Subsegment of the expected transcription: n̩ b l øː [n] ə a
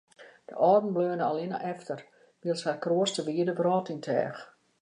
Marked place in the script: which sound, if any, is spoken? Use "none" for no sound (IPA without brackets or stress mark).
n